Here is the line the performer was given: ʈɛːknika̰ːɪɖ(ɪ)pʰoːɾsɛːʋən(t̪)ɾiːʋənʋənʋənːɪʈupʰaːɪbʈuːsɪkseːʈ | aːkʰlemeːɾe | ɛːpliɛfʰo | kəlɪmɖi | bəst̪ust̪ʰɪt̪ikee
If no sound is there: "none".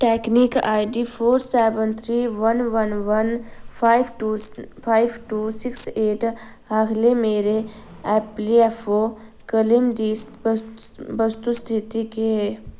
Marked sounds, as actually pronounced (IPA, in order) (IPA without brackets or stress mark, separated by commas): i, t̪ʰ